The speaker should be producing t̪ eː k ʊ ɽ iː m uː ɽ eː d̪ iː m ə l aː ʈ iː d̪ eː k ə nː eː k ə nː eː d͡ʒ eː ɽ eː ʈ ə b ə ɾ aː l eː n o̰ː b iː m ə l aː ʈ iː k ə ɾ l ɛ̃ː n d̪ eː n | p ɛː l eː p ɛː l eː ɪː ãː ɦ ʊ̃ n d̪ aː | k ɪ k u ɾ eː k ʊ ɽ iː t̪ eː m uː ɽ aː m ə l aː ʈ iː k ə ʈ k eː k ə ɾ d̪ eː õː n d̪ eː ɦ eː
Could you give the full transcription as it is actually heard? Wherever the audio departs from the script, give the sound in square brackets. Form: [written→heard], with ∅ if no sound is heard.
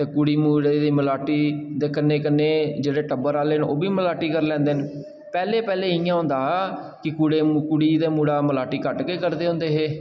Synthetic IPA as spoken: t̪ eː k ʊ ɽ iː m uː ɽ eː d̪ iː m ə l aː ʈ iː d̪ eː k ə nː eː k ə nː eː d͡ʒ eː ɽ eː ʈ ə b ə ɾ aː l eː n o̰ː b iː m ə l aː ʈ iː k ə ɾ l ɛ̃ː n d̪ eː n | p ɛː l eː p ɛː l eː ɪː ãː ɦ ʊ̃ n d̪ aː | k ɪ k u [ɾ→ɽ] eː k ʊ ɽ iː [t̪→d̪] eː m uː ɽ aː m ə l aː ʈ iː k ə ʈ k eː k ə ɾ d̪ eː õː n d̪ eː ɦ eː